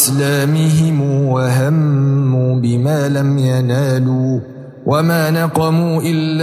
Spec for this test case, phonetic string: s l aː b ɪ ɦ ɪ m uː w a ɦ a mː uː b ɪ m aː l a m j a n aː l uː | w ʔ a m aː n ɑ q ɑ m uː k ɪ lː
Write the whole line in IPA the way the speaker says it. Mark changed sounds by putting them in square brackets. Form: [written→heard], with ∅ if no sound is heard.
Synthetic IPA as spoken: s l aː [b→m] ɪ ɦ ɪ m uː w a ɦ a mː uː b ɪ m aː l a m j a n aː l uː | w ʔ a m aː n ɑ q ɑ m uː [k→ʔ] ɪ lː